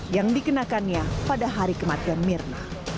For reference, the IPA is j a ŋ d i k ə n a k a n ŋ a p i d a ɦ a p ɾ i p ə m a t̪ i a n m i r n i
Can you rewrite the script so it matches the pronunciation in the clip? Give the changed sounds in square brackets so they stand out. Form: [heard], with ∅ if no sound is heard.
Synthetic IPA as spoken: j a ŋ d i k ə n a k a n [ɲ] a p [a] d a ɦ a [∅] ɾ i [k] ə m a t̪ i a n m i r n [a]